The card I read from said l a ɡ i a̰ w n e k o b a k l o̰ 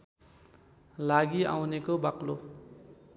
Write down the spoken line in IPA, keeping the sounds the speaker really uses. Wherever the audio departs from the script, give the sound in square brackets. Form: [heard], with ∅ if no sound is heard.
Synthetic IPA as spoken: l a ɡ i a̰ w n e k o b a k l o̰